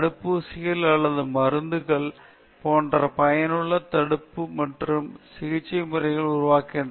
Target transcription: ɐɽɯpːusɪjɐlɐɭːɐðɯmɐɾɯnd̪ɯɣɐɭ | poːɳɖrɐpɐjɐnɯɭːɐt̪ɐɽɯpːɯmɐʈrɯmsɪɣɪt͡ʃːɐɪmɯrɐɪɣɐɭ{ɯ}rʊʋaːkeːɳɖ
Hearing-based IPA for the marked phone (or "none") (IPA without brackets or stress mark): ʊ